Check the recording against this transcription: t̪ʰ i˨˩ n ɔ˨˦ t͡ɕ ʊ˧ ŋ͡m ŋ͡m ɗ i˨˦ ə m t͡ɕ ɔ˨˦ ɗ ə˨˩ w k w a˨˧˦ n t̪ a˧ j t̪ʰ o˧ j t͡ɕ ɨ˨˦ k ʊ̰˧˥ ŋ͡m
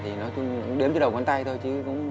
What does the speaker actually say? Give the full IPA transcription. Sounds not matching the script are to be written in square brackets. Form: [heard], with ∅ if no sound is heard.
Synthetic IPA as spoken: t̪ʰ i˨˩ n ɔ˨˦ t͡ɕ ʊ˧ ŋ͡m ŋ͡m ɗ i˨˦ ə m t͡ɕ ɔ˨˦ ɗ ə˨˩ w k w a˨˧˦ n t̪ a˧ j t̪ʰ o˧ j t͡ɕ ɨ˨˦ k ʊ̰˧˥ ŋ͡m